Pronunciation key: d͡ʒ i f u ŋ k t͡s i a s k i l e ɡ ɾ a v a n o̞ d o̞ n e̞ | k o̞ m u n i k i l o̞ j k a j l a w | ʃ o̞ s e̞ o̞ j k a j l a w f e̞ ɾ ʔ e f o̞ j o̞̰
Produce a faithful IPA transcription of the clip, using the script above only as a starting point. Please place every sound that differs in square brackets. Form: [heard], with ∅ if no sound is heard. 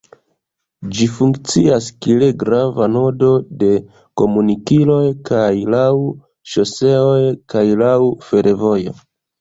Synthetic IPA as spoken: d͡ʒ i f u ŋ k t͡s i a s k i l e ɡ ɾ a v a n o̞ d o̞ [d] e̞ | k o̞ m u n i k i l o̞ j k a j l a w | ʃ o̞ s e̞ o̞ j k a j l a w f e̞ ɾ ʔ e [v] o̞ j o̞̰